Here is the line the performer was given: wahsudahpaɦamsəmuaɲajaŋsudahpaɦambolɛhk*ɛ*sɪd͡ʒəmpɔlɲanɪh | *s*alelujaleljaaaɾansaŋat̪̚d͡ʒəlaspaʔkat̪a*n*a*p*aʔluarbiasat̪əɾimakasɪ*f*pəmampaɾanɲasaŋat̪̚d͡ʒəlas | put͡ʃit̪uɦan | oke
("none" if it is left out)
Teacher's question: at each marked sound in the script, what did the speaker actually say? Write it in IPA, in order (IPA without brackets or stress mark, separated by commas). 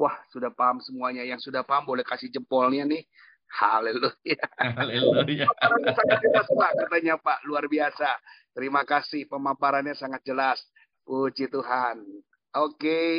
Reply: a, h, ɲ, p, h